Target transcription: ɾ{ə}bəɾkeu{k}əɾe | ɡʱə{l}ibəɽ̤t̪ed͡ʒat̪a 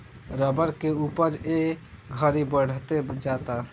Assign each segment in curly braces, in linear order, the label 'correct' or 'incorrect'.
correct, incorrect: p, incorrect: ɾ

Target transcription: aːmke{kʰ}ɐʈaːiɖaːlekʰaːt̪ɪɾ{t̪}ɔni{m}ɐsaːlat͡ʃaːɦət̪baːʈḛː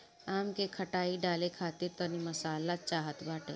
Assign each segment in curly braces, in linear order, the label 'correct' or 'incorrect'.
correct, correct, correct

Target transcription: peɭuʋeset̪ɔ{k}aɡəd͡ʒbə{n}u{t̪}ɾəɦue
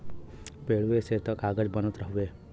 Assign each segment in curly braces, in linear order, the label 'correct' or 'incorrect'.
correct, correct, correct

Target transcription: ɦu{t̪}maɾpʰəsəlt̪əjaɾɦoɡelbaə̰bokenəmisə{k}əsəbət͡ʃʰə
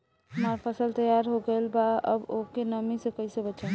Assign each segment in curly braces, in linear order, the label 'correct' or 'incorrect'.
incorrect: none, correct

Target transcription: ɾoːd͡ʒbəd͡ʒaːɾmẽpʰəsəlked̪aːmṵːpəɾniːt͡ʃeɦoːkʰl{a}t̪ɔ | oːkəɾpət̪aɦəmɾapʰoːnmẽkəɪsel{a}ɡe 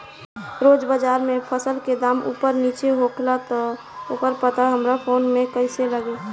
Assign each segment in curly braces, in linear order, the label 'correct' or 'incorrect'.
correct, incorrect: ə

